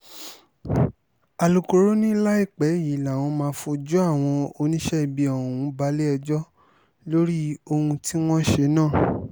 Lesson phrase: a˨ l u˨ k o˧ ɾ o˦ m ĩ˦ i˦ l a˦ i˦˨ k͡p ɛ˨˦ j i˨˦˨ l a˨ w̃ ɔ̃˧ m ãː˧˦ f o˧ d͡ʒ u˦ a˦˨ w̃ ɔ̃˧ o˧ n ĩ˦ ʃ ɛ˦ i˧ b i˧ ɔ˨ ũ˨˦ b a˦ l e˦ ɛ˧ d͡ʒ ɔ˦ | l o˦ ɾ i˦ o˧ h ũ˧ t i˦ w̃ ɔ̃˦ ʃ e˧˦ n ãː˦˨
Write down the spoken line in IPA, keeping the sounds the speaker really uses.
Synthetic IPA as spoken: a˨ l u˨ k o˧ ɾ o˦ n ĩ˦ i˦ l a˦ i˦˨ k͡p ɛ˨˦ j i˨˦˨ l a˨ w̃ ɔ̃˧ m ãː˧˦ f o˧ d͡ʒ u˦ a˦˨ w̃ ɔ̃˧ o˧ n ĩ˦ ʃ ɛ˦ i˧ b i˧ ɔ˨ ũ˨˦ b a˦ l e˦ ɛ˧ d͡ʒ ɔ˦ | l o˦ ɾ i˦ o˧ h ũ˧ t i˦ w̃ ɔ̃˦ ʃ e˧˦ n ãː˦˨